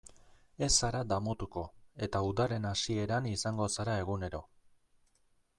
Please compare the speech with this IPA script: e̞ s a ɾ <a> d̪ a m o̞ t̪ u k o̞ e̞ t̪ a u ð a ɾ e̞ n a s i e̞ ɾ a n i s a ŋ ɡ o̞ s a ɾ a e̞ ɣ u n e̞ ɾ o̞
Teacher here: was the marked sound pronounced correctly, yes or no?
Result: yes